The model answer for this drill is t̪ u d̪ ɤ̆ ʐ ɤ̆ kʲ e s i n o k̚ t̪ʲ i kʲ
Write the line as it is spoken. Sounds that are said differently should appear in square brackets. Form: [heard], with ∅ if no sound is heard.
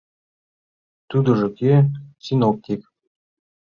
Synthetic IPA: t̪ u d̪ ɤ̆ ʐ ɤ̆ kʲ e s i n o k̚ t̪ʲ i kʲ